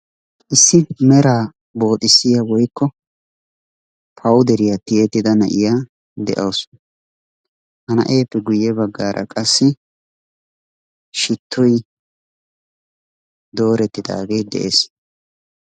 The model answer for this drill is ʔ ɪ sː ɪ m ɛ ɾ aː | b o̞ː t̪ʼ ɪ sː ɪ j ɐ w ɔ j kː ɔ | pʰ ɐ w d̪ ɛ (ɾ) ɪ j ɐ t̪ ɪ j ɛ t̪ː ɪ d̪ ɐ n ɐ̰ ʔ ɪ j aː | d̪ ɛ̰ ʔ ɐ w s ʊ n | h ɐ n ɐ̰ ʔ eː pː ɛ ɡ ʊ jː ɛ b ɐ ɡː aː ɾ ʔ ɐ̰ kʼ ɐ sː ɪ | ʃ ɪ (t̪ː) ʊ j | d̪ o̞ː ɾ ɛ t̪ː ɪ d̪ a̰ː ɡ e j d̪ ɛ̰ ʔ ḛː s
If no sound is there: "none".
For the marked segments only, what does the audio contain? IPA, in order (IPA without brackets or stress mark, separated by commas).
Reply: ɾ, t̪ː